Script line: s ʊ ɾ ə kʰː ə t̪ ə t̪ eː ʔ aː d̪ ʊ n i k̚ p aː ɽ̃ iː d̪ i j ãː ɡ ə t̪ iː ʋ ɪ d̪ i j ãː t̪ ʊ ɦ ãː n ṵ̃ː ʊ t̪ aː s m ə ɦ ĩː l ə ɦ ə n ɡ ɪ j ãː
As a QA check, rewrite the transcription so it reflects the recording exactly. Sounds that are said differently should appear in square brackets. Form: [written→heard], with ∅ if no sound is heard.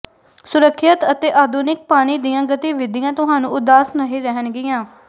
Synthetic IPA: s ʊ ɾ ə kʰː ə t̪ ə t̪ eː ʔ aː d̪ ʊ n [i→ɪ] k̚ p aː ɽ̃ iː d̪ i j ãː ɡ ə t̪ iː ʋ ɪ d̪ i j ãː t̪ ʊ ɦ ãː n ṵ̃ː ʊ [t̪→d̪] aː s [m→n] ə ɦ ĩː [l→ɾ] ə ɦ ə n ɡ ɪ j ãː